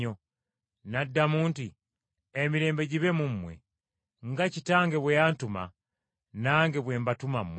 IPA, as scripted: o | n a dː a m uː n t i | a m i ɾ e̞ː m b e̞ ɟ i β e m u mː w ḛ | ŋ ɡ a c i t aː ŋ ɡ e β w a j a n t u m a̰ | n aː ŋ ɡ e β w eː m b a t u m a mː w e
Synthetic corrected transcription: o | n a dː a m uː n t i | e m i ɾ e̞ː m b e̞ ɟ i β e m u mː w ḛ | ŋ ɡ a c i t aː ŋ ɡ e β w e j a n t u m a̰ | n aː ŋ ɡ e β w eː m b a t u m a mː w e